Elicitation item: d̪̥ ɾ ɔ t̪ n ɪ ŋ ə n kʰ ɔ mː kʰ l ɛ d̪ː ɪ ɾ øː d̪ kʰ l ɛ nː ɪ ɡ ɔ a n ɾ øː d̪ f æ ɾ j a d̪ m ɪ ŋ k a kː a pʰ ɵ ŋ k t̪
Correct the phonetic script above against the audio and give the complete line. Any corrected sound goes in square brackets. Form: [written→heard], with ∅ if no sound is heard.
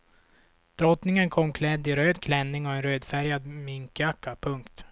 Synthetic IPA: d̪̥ ɾ ɔ t̪ n ɪ ŋ ə n kʰ ɔ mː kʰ l ɛ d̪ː ɪ ɾ øː d̪ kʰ l ɛ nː ɪ [ɡ→ŋ] ɔ [a→ɛ] n ɾ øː d̪ f æ ɾ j a d̪ m ɪ ŋ k a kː a pʰ ɵ ŋ k t̪